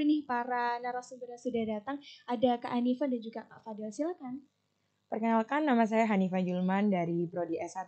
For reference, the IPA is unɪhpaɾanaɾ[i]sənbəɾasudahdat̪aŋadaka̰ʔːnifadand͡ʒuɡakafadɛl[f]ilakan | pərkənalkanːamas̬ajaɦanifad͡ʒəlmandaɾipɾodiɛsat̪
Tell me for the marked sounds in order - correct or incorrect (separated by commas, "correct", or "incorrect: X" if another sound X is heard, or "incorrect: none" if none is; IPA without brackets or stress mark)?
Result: incorrect: a, incorrect: s